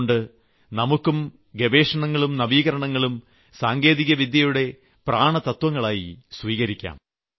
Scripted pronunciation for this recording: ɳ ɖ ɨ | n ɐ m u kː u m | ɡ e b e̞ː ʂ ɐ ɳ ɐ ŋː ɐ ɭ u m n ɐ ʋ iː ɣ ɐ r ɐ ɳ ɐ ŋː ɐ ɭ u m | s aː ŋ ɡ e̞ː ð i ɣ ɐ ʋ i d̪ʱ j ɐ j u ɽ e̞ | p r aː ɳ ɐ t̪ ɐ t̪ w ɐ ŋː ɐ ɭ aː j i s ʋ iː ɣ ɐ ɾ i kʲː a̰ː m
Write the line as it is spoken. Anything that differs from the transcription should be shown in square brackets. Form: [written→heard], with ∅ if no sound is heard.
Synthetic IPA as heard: ɳ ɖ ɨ | n ɐ m u kː u m | ɡ e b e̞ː ʂ ɐ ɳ ɐ ŋː ɐ ɭ u m n ɐ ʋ iː ɣ ɐ [r→ɾ] ɐ ɳ ɐ ŋː ɐ ɭ u m | s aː ŋ ɡ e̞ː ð i ɣ ɐ ʋ i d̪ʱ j ɐ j u ɽ e̞ | p r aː ɳ ɐ t̪ ɐ t̪ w ɐ ŋː ɐ ɭ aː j i s ʋ iː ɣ ɐ ɾ i kʲː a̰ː m